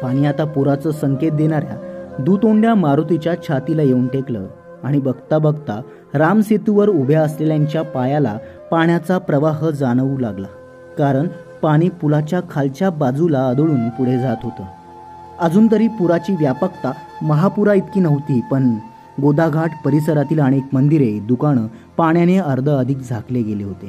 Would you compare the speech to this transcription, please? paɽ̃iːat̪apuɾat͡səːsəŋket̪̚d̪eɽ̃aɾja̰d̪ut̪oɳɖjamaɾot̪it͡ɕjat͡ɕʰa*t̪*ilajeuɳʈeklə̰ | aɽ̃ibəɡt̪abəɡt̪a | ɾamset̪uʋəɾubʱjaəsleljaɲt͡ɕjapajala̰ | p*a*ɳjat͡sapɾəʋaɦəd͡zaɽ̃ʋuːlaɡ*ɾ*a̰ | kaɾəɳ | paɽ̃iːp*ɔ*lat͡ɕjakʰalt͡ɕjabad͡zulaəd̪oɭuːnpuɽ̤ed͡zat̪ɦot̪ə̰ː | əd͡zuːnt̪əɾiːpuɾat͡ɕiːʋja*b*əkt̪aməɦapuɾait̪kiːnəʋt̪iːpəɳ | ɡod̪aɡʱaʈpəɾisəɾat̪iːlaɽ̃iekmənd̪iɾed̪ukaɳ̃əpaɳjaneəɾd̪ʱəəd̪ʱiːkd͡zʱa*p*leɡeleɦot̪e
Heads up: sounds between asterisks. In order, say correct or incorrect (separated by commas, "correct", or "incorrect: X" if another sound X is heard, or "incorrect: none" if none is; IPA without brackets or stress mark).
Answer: correct, correct, incorrect: l, incorrect: u, incorrect: p, incorrect: k